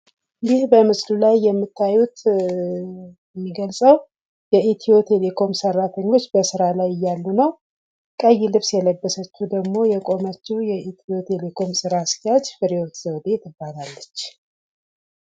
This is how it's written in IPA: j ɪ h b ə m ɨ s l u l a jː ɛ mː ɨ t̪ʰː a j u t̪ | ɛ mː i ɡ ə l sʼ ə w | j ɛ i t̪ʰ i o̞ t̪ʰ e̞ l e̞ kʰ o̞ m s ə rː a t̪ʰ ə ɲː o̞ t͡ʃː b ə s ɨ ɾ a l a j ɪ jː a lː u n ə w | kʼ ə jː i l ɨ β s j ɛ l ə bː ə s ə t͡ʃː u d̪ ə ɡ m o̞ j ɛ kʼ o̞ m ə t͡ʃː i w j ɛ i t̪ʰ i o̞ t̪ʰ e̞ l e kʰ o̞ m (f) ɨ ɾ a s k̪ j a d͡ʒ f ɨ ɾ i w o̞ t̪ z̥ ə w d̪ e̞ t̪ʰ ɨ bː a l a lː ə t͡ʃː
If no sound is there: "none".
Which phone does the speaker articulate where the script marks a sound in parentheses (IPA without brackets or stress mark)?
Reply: s